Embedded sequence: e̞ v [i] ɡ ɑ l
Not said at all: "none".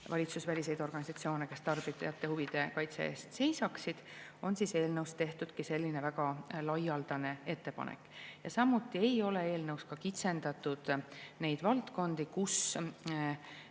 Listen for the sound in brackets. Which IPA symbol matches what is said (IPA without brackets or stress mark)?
æ